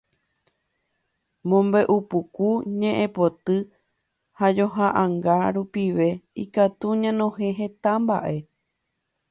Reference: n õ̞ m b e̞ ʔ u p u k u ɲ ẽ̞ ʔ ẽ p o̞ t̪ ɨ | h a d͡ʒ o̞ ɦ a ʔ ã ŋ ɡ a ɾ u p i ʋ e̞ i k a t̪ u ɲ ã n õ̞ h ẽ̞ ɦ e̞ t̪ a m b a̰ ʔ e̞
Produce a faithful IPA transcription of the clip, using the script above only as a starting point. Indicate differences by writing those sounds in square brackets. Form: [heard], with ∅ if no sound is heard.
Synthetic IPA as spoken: [m] õ̞ m b e̞ ʔ u p u k u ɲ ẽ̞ ʔ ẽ p o̞ t̪ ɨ | h a d͡ʒ o̞ ɦ a ʔ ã ŋ ɡ a ɾ u p i ʋ e̞ i k a t̪ u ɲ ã n õ̞ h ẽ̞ ɦ e̞ t̪ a m b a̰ ʔ e̞